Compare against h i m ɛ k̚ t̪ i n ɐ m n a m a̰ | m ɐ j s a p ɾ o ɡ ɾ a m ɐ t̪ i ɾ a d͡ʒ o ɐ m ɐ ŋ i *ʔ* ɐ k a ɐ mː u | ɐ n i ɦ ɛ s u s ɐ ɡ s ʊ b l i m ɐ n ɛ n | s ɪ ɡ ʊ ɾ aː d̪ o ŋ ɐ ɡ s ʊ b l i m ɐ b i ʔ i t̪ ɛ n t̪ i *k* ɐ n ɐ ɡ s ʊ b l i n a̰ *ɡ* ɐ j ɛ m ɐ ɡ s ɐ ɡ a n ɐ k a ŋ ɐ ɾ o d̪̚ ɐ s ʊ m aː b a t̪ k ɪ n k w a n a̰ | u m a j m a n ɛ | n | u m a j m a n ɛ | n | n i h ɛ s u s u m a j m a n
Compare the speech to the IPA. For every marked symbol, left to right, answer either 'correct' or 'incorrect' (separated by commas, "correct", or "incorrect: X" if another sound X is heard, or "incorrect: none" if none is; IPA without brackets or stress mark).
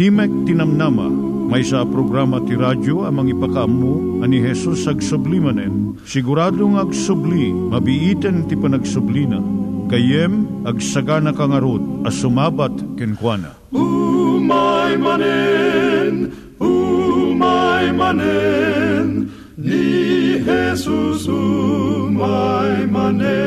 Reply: incorrect: p, incorrect: p, incorrect: k